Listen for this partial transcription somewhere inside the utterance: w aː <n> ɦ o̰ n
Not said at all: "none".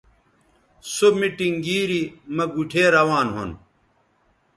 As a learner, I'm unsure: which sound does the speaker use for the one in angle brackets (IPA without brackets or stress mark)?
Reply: n